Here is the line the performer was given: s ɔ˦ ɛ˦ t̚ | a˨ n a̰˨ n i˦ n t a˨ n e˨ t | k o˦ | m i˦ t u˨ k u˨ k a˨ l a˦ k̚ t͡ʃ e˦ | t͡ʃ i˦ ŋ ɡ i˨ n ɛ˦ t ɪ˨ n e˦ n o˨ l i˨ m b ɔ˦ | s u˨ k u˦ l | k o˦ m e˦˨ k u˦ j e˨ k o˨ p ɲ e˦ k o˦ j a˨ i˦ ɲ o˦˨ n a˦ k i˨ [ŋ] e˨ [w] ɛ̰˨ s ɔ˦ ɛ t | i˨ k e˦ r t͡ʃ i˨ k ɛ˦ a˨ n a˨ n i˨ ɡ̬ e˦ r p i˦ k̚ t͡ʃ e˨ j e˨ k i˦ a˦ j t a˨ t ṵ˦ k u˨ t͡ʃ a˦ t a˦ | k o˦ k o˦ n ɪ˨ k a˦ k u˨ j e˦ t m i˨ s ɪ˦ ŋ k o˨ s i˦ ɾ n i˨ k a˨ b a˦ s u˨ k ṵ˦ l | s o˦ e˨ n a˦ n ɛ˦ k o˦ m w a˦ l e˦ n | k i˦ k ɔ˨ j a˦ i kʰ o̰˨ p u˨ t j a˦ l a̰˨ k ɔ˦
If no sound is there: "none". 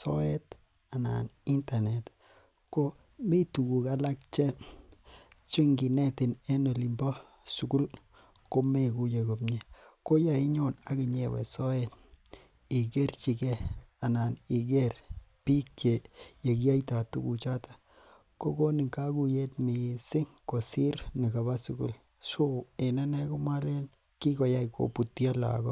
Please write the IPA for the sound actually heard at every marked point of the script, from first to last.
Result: ɲ, w

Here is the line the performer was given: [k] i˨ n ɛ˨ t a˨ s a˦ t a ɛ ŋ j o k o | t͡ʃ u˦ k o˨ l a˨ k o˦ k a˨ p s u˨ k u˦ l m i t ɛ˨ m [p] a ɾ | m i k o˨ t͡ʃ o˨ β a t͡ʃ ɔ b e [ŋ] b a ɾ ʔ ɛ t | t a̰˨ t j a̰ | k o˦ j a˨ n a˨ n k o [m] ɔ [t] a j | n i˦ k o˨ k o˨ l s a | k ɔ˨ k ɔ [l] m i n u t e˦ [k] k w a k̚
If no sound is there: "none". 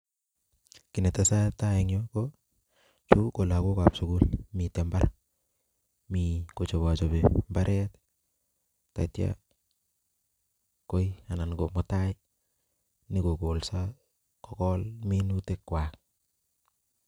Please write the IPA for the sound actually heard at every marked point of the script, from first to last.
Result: k, b, m, m, t, l, k

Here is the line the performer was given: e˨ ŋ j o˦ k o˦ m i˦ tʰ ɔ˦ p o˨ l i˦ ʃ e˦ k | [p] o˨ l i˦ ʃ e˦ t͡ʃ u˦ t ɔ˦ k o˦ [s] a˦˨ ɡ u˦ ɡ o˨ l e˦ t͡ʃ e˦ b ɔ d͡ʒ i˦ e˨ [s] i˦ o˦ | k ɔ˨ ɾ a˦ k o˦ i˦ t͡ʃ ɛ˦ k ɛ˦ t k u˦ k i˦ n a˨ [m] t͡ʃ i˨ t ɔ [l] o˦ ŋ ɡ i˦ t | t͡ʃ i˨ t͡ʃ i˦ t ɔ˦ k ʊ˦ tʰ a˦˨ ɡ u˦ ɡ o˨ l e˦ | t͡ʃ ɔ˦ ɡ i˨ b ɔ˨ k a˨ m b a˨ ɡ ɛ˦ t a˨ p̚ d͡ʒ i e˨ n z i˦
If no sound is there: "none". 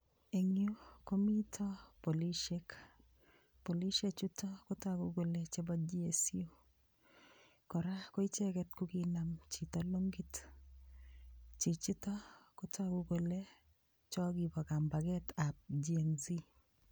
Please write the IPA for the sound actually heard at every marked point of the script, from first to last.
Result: p, t, s, m, l

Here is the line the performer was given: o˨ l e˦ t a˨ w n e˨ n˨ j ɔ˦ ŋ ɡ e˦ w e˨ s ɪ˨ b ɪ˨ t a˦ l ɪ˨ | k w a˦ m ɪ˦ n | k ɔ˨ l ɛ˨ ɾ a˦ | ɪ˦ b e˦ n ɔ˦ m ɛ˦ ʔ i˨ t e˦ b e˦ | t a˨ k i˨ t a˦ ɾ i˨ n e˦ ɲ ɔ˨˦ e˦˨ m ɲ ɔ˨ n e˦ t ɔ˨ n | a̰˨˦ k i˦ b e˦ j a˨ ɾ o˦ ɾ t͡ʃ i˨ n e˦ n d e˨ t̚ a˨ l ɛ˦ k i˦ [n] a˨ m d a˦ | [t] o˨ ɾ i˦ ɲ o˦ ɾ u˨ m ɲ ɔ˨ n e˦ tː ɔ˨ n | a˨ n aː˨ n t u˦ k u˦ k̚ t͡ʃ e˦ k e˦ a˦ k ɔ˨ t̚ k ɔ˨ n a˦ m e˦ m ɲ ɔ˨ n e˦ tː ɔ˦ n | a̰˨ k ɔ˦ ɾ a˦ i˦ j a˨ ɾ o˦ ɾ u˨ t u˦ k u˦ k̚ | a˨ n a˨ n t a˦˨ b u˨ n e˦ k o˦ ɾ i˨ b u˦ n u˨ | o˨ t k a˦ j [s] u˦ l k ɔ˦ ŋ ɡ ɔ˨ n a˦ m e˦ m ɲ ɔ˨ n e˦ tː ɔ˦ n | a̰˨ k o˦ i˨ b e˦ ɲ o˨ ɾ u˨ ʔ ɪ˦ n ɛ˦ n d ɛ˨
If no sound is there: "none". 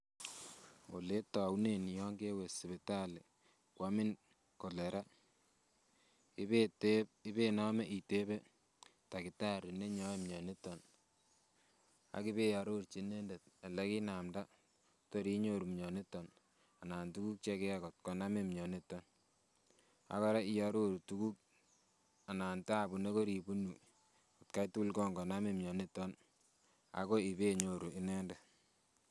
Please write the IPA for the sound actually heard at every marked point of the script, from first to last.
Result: n, t, t

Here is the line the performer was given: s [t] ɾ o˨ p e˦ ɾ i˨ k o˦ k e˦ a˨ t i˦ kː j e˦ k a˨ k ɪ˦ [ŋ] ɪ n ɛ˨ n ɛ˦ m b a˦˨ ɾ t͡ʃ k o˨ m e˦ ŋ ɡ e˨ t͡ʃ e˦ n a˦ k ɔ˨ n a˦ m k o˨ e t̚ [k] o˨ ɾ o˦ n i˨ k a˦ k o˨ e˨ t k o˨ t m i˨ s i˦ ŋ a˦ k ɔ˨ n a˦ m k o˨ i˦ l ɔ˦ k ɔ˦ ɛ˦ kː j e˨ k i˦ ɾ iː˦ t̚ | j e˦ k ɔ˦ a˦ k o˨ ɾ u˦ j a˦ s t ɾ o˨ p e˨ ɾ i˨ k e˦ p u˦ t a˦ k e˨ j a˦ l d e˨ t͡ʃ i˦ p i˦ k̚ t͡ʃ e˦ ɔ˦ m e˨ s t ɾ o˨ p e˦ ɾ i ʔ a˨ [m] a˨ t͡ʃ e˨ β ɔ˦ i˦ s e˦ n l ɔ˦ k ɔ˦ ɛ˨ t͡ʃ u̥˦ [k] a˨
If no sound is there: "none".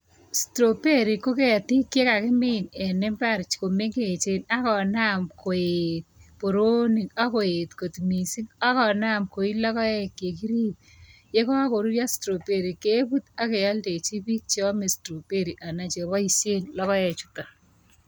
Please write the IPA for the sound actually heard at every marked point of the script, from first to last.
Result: t, m, p, n, t

